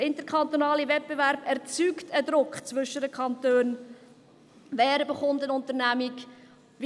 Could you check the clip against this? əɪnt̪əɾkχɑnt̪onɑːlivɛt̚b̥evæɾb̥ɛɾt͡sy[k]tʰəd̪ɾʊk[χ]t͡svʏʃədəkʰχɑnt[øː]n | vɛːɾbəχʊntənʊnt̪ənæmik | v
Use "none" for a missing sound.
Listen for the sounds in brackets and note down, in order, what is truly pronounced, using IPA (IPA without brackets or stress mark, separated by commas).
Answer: k, χ, øː